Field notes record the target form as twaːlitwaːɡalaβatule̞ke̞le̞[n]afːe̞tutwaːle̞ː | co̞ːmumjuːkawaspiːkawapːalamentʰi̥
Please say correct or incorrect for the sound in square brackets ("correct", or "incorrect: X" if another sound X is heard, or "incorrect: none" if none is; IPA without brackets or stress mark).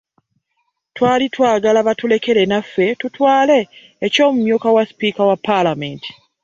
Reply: correct